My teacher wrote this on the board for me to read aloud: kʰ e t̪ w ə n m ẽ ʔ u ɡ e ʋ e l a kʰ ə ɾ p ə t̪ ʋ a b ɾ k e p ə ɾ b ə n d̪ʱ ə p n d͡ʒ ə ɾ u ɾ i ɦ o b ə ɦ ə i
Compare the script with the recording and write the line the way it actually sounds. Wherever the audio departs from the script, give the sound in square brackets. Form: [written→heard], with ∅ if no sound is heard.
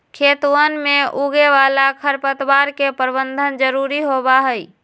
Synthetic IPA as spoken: kʰ e t̪ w ə n m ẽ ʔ u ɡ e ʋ [e→a] l a kʰ ə ɾ p ə t̪ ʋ a [b→∅] ɾ k e p ə ɾ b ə n d̪ʱ ə [p→∅] n d͡ʒ ə ɾ u ɾ i ɦ o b [ə→a] ɦ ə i